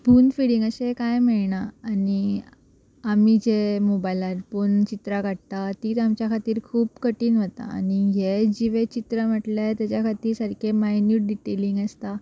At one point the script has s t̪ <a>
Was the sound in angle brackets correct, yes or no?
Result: yes